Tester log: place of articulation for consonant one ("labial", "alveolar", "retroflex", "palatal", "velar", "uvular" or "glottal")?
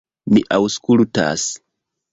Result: labial